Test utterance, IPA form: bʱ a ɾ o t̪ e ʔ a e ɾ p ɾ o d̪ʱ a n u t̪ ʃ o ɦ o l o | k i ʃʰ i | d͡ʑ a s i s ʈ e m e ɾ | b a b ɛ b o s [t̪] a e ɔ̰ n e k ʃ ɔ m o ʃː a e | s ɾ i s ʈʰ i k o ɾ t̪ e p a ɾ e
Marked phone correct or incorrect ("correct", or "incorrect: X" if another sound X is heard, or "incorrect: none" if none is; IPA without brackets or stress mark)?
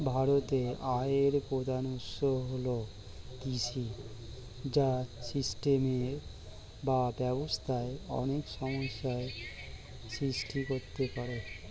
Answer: incorrect: t̪ʰ